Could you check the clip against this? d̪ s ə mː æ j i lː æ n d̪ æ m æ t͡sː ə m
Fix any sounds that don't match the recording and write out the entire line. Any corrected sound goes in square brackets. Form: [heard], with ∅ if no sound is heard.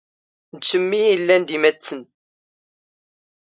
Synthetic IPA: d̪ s ə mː [i] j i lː æ n d̪ [i] m æ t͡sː ə [n]